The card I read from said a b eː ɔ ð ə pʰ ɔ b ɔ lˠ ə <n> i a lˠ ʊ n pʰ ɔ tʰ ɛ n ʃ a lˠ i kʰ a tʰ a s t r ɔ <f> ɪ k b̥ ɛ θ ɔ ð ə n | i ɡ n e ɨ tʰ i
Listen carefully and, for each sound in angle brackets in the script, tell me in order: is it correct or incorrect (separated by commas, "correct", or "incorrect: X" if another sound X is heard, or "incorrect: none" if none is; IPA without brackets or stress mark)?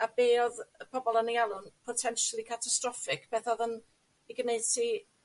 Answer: correct, correct